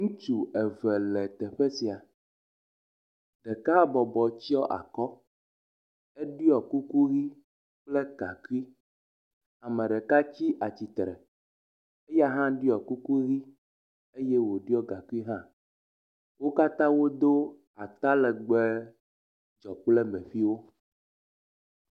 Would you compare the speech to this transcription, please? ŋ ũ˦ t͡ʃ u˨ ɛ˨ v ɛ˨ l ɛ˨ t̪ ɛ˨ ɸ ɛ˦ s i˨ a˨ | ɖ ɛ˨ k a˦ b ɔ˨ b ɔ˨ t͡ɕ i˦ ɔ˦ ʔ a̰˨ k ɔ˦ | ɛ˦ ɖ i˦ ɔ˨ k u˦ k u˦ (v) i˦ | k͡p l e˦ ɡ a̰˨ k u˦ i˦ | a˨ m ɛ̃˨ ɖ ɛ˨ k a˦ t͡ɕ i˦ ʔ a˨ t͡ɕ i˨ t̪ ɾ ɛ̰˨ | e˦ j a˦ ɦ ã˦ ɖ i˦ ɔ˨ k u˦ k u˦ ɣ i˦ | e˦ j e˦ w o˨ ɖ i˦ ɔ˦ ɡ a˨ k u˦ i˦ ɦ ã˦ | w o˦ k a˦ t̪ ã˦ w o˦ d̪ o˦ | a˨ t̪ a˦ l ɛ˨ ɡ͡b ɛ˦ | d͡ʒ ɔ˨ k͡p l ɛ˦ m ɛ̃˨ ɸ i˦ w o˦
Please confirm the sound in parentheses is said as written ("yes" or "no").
no